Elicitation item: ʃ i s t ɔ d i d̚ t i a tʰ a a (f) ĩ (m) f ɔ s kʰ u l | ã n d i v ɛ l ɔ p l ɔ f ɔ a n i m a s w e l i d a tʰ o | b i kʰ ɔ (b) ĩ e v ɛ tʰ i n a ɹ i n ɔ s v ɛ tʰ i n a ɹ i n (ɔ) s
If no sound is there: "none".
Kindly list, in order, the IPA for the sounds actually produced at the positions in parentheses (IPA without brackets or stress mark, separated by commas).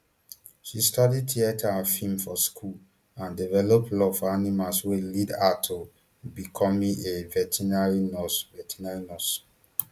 f, m, m, ɔ